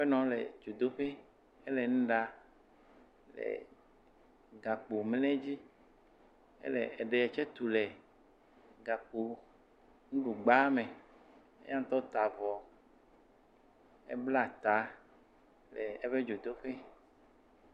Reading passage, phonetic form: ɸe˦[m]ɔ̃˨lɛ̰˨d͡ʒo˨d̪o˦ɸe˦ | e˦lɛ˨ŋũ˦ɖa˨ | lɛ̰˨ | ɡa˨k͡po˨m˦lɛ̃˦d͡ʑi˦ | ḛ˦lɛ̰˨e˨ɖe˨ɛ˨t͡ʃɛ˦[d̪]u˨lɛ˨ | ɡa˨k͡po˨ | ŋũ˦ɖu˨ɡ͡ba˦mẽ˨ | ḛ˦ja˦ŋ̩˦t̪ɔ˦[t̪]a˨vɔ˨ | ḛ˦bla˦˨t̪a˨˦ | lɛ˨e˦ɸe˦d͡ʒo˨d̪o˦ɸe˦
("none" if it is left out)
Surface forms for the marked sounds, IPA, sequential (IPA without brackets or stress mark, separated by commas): n, t̪, t̪